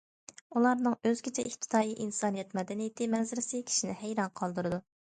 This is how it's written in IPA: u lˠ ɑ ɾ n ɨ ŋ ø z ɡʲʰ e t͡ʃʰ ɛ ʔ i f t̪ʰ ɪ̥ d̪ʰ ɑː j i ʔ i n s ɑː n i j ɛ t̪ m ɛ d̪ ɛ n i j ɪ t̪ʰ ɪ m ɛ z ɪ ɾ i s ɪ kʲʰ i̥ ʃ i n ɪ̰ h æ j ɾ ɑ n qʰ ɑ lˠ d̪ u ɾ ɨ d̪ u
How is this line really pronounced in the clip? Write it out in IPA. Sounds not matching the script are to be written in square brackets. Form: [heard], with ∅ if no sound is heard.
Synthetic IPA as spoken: u lˠ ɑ ɾ n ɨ ŋ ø z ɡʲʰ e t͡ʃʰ ɛ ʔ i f t̪ʰ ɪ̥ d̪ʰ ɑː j i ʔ i n s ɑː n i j ɛ t̪ m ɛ d̪ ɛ n i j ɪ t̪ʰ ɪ m ɛ z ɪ ɾ [ɪ] s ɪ kʲʰ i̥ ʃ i n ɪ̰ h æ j ɾ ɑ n qʰ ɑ lˠ d̪ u ɾ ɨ d̪ u